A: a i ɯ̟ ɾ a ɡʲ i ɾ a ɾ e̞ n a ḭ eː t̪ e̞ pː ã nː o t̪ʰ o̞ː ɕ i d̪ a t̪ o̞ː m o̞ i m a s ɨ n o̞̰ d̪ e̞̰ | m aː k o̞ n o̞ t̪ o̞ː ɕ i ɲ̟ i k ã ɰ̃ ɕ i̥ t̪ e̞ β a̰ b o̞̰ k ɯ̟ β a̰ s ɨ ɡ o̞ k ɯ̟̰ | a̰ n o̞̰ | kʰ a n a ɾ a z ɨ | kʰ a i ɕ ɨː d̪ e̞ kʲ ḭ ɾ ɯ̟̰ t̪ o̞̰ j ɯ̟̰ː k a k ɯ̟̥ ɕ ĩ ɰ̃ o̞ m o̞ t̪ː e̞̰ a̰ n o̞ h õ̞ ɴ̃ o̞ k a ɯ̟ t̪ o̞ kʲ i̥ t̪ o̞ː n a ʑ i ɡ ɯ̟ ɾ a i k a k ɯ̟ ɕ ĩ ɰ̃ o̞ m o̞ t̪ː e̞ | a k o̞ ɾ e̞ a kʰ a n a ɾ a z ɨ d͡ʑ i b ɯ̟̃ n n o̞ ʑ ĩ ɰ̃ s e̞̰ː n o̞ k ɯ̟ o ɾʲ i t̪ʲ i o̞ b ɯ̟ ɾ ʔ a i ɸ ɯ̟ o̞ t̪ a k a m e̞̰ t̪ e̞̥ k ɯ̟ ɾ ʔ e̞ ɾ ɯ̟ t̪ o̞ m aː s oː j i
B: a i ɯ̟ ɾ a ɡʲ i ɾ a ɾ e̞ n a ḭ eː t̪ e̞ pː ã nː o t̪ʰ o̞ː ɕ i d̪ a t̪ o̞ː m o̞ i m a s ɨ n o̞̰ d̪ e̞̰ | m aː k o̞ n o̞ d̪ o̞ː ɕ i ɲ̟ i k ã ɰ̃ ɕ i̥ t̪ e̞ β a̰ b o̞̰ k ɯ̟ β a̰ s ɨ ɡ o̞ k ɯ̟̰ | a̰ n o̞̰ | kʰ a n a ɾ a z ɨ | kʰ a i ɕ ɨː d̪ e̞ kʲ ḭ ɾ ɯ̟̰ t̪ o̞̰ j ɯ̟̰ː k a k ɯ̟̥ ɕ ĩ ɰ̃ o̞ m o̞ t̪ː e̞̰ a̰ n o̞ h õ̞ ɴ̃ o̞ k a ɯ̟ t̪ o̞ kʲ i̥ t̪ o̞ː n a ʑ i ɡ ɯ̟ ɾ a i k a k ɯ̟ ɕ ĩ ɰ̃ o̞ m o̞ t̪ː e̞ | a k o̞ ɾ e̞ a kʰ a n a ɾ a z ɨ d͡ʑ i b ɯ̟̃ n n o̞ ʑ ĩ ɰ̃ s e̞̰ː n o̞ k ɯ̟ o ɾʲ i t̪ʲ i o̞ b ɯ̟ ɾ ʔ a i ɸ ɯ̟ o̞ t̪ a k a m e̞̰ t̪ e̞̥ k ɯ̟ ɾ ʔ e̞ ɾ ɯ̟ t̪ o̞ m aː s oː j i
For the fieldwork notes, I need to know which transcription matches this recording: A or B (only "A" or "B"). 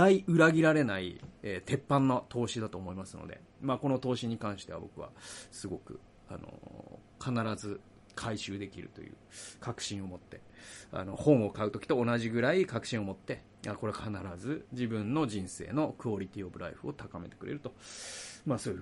A